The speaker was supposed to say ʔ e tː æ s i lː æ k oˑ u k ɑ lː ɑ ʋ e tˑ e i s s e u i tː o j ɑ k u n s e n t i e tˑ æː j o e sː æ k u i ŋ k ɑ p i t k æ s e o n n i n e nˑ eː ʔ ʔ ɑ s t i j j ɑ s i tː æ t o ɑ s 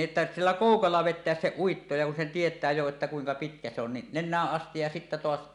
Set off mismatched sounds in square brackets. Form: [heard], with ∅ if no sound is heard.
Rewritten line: ʔ e tː æ s i lː æ k oˑ u k ɑ lː ɑ ʋ e tˑ e [æ] s s e u i tː o j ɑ k u n s e n t i e tˑ æː j o e [tː] æ k u i ŋ k ɑ p i t k æ s e o n n i n e nˑ [æː] ʔ ʔ ɑ s t i j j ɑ s i tː æ t o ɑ s